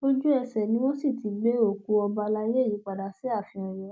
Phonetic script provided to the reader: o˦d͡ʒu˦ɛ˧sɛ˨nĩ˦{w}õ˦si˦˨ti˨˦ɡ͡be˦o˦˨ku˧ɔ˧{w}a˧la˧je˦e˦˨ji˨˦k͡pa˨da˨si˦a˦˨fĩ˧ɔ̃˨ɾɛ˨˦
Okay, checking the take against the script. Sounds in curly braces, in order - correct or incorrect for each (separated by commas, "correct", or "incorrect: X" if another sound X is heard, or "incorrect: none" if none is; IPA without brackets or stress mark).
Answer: correct, incorrect: b